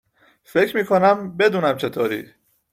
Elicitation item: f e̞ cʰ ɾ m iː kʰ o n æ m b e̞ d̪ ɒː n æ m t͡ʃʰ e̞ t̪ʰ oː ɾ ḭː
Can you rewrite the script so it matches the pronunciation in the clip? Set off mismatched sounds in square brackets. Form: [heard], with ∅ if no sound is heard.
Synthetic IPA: f e̞ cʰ ɾ m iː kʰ o n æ m b e̞ d̪ [uː] n æ m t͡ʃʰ e̞ t̪ʰ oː ɾ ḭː